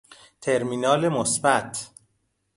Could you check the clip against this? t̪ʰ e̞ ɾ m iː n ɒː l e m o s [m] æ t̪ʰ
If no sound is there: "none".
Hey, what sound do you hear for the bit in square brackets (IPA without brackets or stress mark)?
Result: b